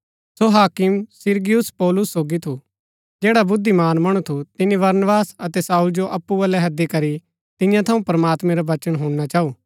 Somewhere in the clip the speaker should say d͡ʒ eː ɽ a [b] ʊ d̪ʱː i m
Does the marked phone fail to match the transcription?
no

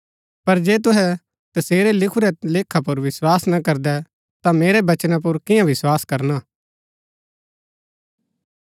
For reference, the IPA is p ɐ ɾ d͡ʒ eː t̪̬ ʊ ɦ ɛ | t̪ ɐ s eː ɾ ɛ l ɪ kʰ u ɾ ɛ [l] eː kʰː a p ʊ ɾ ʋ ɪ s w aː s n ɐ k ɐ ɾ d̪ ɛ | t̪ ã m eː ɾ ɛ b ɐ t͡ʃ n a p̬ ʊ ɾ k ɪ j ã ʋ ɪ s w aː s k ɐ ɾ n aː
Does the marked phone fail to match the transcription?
no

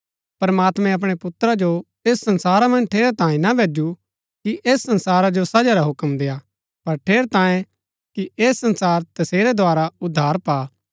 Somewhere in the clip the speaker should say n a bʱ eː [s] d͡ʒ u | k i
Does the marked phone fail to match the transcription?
yes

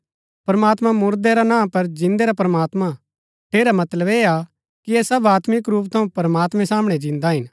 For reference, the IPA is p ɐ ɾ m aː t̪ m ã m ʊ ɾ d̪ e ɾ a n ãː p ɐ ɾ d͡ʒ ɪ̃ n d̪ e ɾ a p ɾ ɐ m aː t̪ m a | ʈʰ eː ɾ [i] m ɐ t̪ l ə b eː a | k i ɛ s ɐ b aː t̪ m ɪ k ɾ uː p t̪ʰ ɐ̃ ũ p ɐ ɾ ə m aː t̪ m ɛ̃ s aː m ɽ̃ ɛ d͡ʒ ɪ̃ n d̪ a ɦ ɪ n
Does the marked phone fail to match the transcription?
yes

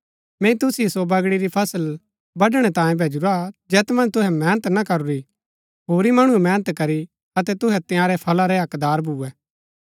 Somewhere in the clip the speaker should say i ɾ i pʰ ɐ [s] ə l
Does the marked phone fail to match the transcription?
no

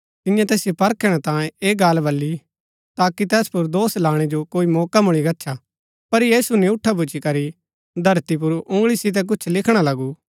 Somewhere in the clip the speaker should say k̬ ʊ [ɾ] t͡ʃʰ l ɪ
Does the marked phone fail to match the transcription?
yes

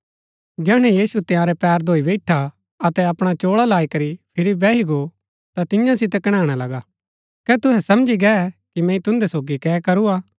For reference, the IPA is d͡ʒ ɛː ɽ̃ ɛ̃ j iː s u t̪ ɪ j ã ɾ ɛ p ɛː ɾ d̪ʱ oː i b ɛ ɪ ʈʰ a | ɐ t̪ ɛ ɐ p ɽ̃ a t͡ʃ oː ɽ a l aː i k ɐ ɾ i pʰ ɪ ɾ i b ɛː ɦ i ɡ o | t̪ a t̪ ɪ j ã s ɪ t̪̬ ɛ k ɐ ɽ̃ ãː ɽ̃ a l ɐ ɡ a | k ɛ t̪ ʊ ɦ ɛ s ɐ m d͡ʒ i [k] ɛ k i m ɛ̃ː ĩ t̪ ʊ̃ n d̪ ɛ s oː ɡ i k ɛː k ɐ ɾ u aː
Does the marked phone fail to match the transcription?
yes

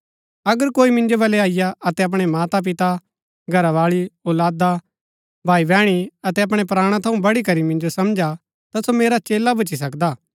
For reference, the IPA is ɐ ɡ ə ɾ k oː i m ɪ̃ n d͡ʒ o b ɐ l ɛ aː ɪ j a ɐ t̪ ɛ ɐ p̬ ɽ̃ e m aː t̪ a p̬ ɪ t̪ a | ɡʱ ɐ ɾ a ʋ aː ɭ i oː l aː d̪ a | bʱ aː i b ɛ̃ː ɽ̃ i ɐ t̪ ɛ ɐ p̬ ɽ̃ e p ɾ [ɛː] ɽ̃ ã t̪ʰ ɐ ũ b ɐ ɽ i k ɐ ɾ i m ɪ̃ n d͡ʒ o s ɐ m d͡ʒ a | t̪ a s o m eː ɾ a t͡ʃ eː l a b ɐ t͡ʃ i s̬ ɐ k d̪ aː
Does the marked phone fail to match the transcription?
yes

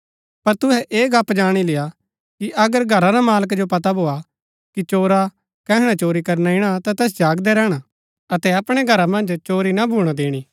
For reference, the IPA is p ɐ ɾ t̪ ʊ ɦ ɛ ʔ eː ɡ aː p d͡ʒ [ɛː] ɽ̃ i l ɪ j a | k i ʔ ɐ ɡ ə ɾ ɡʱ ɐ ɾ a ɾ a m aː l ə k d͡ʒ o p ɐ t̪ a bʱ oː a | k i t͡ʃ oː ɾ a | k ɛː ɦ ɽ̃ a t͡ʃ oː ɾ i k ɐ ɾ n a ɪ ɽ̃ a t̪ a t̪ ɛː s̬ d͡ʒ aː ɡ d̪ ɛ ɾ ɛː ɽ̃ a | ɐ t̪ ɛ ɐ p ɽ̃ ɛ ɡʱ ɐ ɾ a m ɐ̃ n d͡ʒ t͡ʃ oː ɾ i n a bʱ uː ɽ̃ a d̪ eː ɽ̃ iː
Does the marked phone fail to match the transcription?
yes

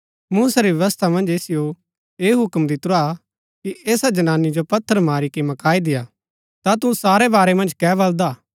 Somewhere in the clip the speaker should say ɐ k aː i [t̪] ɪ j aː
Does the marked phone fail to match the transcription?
yes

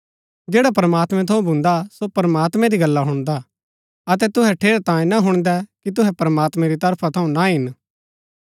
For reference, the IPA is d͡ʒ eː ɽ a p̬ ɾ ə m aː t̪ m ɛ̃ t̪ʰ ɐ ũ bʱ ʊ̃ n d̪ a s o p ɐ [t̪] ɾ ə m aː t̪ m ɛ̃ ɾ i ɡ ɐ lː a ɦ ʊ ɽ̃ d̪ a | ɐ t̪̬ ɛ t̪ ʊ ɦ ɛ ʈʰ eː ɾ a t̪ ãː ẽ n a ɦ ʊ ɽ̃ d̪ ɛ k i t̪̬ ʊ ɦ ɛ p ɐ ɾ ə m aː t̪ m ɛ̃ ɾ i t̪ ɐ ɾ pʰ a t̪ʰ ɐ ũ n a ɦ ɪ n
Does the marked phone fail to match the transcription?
yes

